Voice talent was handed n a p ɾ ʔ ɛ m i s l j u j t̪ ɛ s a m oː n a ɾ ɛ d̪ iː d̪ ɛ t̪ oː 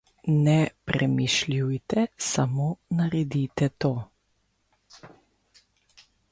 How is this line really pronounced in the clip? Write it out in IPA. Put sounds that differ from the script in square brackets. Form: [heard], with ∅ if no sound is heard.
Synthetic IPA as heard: n [ɛ] p ɾ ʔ ɛ m i [ʃ] l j u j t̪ ɛ s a m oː n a ɾ ɛ d̪ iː [t̪] ɛ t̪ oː